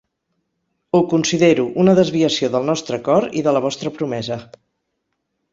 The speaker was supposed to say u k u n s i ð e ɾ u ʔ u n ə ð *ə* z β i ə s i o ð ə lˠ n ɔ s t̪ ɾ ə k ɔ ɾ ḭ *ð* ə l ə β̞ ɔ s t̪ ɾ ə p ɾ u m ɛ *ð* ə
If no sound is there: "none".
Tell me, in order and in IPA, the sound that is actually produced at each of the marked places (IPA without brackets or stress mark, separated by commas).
ə, ð, z